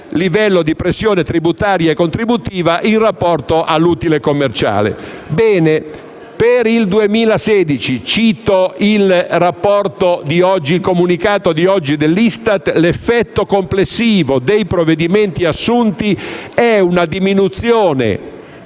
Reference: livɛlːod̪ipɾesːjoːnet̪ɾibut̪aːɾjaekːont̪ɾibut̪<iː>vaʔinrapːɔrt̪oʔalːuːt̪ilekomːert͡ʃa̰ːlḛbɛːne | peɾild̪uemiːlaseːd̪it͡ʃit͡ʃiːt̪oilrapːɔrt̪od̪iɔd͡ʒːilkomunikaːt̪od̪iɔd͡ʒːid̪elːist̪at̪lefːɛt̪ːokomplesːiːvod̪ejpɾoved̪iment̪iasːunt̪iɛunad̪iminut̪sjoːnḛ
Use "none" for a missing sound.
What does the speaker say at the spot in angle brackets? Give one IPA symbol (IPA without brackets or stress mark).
iː